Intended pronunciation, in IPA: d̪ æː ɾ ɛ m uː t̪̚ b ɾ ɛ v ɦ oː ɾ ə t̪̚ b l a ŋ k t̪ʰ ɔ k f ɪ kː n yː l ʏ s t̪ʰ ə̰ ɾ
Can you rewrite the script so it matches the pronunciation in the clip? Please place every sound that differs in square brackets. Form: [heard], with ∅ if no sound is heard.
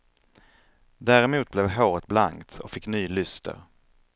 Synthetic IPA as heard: d̪ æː ɾ ɛ m uː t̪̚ b [l] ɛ v ɦ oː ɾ ə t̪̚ b l a ŋ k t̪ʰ ɔ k f ɪ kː n yː l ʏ s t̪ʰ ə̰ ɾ